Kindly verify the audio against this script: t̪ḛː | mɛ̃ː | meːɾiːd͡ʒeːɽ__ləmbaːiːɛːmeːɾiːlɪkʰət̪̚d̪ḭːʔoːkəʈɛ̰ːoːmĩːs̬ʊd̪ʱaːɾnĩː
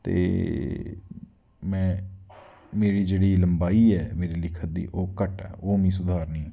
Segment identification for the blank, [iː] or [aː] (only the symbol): iː